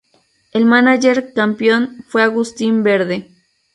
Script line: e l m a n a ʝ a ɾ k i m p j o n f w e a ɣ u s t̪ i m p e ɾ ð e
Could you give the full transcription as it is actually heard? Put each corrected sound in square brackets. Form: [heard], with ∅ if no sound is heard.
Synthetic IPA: e l m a n a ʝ [e] ɾ k [a] m p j o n f w e a ɣ u s t̪ i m [b] e ɾ ð e